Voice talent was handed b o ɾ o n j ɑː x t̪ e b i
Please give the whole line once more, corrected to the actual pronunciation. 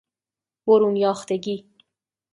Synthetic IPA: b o ɾ u n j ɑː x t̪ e ɡ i